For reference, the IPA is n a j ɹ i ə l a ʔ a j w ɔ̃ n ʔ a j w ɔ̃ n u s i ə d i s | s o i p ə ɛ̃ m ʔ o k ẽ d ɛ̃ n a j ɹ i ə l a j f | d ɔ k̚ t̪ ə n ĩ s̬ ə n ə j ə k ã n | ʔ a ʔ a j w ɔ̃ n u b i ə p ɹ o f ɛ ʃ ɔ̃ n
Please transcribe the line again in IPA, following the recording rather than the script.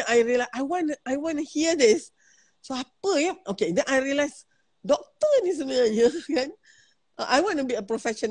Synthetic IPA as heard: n a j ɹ i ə l a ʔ a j w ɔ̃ n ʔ a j w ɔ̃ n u h i ə d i s | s o a p ə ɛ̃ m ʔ o k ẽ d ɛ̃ n a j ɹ i ə l a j s | d ɔ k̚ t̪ ə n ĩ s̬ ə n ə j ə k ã n | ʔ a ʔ a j w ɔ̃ n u b i ə p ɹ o f ɛ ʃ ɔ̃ n